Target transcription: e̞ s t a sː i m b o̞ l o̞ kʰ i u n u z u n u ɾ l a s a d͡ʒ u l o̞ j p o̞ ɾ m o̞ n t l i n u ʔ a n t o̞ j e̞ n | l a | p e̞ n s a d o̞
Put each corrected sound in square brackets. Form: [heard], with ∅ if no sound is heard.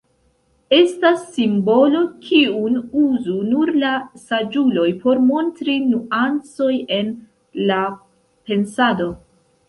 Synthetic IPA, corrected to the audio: e̞ s t a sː i m b o̞ l o̞ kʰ i u n u z u n u ɾ l a s a d͡ʒ u l o̞ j p o̞ ɾ m o̞ n t [ɾ] i n u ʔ a n [t͡s] o̞ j e̞ n | l a | p e̞ n s a d o̞

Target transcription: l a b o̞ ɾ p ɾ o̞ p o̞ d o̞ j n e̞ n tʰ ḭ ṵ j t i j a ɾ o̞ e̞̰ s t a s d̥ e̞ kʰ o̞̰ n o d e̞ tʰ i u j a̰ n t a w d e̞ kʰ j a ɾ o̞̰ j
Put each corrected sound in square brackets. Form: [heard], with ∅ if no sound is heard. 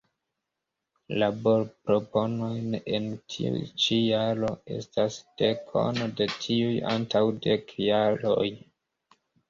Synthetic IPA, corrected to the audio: l a b o̞ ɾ p ɾ o̞ p o̞ [n] o̞ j n e̞ n tʰ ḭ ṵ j [t͡ʃ] i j a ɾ o̞ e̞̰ s t a s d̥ e̞ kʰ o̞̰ n o d e̞ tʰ i u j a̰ n t a w d e̞ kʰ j a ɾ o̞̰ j

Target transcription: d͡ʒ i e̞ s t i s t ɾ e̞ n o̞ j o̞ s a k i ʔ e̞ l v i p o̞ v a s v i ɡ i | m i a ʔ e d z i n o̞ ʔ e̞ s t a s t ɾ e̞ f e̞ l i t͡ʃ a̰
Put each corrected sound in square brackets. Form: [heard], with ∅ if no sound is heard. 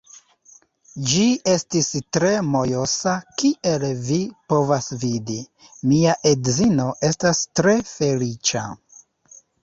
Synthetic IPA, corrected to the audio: d͡ʒ i e̞ s t i s t ɾ e̞ [m] o̞ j o̞ s a k i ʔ e̞ l v i p o̞ v a s v i [d] i | m i a ʔ e d z i n o̞ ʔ e̞ s t a s t ɾ e̞ f e̞ l i t͡ʃ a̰

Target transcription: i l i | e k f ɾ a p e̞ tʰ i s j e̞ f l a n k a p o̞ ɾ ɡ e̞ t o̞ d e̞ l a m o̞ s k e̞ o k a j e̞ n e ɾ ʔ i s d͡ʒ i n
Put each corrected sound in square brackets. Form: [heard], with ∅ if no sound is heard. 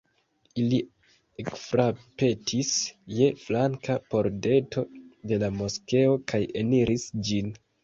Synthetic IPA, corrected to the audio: i l i | e k f ɾ a p e̞ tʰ i s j e̞ f l a [ŋ] k a p o̞ ɾ [d] e̞ t o̞ d e̞ l a m o̞ s k e̞ o k a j e̞ n [i] ɾ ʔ i s d͡ʒ i n

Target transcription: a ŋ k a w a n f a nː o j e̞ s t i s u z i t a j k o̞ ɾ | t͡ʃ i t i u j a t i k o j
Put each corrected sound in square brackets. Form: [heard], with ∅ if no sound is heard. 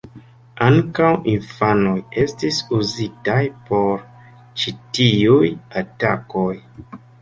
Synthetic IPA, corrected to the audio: a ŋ k a w [i] n f a [n] o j e̞ s t i s u z i t a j [p] o̞ ɾ | t͡ʃ i t i u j a t [a] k o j

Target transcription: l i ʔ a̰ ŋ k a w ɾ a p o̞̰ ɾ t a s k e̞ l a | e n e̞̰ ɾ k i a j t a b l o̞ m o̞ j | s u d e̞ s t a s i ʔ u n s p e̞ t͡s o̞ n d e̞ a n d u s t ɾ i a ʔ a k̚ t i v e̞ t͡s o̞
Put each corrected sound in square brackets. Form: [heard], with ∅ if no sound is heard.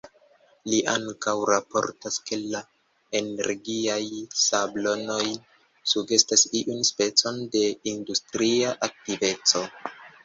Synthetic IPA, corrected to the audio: l i ʔ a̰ ŋ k a w ɾ a p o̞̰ ɾ t a s k e̞ l a | e n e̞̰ ɾ [ɡ] i a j [s] a b l o̞ [n] o̞ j | s u [ɡ] e̞ s t a s i ʔ u n s p e̞ t͡s o̞ n d e̞ [i] n d u s t ɾ i a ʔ a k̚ t i v e̞ t͡s o̞

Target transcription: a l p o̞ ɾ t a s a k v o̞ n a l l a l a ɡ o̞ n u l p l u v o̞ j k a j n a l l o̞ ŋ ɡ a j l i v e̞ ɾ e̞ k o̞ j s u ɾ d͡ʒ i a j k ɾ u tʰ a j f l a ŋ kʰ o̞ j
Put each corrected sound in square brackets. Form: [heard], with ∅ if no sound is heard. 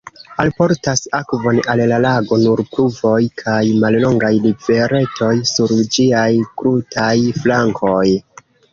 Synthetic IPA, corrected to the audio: a l p o̞ ɾ t a s a k v o̞ n a l l a l a ɡ o̞ n u [ɾ] p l u v o̞ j [kʰ] a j [m] a l l o̞ ŋ ɡ a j l i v e̞ ɾ e̞ [t] o̞ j s u ɾ d͡ʒ i a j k ɾ u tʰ a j f l a ŋ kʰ o̞ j

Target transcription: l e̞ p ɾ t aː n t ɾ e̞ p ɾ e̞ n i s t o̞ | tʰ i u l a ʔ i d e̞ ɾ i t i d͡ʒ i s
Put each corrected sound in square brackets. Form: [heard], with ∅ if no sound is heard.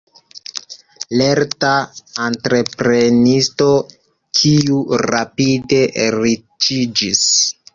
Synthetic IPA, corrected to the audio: l e̞ [∅] ɾ t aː n t ɾ e̞ p ɾ e̞ n i s t o̞ | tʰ i u [ɾ] a [p] i d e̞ ɾ i [t͡ʃ] i d͡ʒ i s

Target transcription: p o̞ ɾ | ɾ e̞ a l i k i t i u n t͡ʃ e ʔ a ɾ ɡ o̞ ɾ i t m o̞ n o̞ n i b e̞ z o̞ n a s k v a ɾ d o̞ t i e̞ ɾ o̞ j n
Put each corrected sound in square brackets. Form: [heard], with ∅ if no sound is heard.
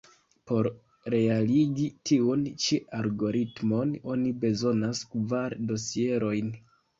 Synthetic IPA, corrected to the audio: p o̞ ɾ | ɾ e̞ a l i [ɡ] i t i u n t͡ʃ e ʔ a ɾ ɡ o̞ ɾ i t m o̞ n o̞ n i b e̞ z o̞ n a s k v a ɾ d o̞ [s] i e̞ ɾ o̞ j n

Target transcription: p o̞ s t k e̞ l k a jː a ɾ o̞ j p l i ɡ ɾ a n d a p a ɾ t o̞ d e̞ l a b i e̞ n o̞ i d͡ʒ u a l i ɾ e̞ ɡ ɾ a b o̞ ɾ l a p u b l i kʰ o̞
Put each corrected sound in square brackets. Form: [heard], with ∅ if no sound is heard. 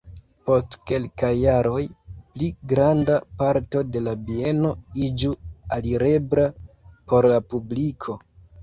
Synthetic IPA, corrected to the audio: p o̞ s t k e̞ l k a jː a ɾ o̞ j p l i ɡ ɾ a n d a p a ɾ t o̞ d e̞ l a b i e̞ n o̞ i d͡ʒ u a l i ɾ e̞ [b] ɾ a [p] o̞ ɾ l a p u b l i kʰ o̞

